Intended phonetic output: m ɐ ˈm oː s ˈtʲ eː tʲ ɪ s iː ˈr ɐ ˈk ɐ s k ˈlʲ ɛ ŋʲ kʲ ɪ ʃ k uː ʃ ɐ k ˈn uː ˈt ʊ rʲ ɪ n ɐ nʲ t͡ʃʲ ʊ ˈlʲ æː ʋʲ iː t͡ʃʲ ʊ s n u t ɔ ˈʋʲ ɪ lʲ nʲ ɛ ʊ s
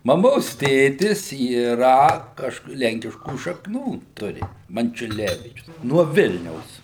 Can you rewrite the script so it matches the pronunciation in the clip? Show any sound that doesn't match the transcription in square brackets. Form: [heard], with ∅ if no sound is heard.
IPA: m ɐ ˈm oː s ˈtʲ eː tʲ ɪ s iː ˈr ɐ ˈk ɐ [ʃ] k ˈlʲ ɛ ŋʲ kʲ ɪ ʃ k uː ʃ ɐ k ˈn uː ˈt ʊ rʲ ɪ [m] ɐ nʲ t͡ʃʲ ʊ ˈlʲ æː ʋʲ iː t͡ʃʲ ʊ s n u [∅] ɔ ˈʋʲ ɪ lʲ nʲ ɛ ʊ s